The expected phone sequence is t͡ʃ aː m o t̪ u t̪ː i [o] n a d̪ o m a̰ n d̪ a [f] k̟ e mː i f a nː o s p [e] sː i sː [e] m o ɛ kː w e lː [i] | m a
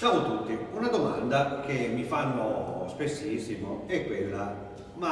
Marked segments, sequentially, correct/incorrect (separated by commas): incorrect, incorrect, correct, incorrect, incorrect